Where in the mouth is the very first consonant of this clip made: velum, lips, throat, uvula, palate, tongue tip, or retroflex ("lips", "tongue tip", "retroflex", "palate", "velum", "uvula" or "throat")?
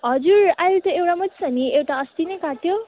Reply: throat